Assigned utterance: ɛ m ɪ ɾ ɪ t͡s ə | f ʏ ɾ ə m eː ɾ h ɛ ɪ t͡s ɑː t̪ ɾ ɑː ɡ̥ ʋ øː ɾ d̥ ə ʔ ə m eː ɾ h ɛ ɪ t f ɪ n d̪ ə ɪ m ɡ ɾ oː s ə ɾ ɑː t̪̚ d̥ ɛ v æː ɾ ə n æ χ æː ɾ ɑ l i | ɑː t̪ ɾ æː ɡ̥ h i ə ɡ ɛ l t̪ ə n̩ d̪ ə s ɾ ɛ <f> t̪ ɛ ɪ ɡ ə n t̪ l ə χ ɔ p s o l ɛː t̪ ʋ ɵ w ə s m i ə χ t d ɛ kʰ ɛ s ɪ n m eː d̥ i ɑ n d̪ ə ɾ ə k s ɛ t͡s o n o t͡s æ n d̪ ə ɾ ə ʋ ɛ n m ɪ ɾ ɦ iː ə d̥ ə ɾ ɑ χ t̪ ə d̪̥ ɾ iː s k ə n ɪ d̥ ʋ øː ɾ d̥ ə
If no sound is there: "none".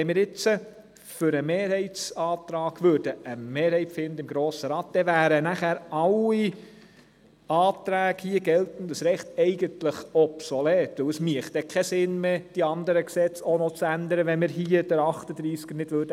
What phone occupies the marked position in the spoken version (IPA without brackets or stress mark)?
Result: χ